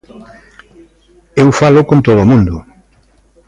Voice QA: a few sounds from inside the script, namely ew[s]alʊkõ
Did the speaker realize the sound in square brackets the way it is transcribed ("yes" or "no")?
no